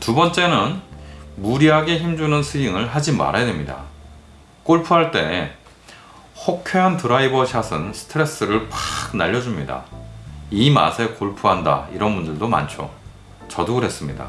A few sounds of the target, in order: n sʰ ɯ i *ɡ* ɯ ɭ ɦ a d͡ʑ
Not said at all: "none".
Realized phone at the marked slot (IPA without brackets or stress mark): ŋ